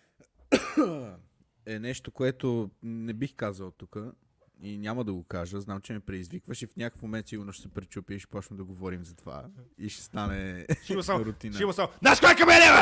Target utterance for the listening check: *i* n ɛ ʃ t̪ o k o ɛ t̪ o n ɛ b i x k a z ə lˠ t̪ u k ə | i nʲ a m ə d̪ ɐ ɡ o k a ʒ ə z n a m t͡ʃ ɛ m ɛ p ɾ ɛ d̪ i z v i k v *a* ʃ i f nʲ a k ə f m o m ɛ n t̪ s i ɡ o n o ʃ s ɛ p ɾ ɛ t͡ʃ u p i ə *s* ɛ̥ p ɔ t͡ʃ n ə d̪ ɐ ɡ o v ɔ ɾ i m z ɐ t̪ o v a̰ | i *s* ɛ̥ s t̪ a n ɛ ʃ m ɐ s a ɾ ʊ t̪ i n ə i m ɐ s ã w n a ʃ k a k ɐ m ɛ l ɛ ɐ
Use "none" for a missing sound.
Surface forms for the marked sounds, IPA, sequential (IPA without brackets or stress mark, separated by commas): ɛ, ə, ʃ, ʃ